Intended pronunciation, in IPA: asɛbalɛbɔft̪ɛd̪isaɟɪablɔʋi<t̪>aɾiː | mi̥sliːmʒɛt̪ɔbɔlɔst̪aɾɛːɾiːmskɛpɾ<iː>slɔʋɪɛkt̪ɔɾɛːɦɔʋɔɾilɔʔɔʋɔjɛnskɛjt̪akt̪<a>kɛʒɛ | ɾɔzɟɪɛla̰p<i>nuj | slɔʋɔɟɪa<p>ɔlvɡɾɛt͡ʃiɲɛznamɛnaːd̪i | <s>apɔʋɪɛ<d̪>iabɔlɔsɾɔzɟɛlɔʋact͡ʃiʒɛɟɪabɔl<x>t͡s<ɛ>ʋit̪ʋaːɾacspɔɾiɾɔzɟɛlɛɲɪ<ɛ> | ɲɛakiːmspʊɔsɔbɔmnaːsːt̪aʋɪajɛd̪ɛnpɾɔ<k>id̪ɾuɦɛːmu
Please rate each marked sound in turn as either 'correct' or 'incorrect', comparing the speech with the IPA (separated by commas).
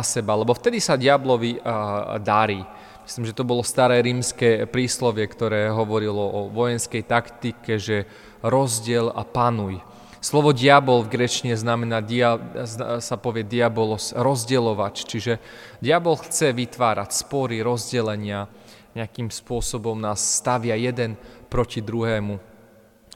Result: incorrect, correct, incorrect, incorrect, incorrect, correct, correct, correct, correct, incorrect, incorrect